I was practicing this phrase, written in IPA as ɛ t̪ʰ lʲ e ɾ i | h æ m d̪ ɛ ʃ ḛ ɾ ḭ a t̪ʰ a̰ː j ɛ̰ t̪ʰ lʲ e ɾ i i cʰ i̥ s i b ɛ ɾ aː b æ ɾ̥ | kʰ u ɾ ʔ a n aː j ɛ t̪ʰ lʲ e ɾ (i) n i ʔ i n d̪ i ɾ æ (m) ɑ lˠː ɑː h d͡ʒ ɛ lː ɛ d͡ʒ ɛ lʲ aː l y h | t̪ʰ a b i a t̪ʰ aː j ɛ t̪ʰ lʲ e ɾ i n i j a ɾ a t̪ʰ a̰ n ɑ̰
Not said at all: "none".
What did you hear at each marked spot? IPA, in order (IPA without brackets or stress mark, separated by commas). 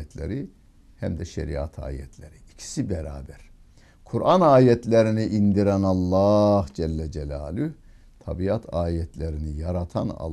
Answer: i, n